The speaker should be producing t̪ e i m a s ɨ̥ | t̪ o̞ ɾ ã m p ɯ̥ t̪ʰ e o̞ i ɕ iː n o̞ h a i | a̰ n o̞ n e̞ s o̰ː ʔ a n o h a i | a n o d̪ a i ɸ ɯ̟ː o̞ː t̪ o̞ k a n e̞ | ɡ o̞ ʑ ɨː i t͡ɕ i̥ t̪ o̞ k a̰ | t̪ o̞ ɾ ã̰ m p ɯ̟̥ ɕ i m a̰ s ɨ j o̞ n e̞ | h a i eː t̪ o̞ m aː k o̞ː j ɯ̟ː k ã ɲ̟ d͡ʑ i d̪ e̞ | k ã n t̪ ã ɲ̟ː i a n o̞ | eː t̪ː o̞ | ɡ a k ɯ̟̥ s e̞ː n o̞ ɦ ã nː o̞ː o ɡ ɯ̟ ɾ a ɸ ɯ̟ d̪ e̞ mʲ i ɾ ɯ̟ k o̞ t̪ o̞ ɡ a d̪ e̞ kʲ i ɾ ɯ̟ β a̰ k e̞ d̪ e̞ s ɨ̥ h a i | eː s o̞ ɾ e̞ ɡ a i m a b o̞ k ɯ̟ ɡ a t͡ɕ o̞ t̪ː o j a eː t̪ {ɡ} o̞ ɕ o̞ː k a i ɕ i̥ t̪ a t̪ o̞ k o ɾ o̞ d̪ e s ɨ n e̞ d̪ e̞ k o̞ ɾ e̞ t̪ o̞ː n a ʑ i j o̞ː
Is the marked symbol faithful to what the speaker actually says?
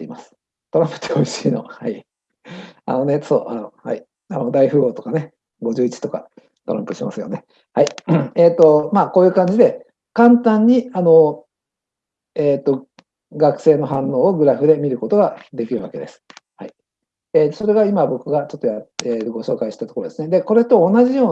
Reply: yes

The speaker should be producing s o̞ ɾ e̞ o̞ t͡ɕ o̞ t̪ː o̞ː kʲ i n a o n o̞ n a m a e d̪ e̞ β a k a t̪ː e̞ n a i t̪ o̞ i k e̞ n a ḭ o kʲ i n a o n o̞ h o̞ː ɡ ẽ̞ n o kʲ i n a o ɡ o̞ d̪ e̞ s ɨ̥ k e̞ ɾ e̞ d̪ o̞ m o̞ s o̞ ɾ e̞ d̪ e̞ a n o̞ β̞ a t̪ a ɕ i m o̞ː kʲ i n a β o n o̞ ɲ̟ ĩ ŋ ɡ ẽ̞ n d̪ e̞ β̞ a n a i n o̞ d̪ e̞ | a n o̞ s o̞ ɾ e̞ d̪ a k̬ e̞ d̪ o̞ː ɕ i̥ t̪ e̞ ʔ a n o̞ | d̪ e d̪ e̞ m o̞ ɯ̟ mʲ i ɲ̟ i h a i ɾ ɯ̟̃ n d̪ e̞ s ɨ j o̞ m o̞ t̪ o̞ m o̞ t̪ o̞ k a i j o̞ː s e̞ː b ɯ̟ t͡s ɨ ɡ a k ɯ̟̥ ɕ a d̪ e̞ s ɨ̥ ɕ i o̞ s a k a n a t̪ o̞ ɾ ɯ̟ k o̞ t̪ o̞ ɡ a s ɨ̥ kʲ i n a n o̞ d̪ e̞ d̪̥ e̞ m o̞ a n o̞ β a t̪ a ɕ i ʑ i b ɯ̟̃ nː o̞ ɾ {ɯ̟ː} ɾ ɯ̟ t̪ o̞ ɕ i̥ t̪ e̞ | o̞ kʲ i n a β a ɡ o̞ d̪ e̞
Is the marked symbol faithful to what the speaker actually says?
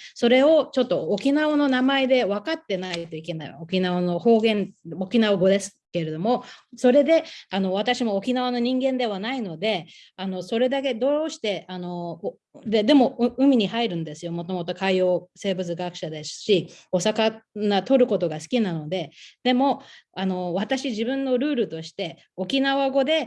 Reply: yes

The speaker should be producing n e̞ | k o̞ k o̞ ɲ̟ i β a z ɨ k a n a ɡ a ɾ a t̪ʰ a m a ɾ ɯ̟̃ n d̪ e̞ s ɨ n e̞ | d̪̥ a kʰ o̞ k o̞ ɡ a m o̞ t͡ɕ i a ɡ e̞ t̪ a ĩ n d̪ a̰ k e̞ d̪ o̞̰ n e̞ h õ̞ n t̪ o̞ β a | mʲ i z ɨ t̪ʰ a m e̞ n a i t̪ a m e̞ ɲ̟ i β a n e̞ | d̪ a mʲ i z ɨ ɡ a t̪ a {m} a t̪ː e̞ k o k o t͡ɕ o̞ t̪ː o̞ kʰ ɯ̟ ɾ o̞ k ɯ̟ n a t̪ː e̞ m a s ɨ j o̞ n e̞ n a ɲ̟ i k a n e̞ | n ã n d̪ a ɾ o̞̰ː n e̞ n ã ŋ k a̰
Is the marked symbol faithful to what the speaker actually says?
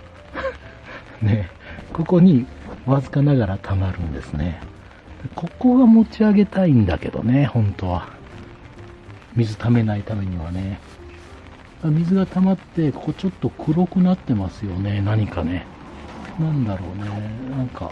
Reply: yes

